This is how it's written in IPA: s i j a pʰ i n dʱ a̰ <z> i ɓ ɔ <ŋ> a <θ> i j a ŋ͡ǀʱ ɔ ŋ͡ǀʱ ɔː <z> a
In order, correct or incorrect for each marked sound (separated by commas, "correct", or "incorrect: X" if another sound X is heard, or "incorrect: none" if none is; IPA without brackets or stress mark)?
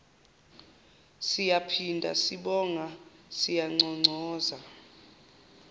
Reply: incorrect: s, correct, incorrect: s, correct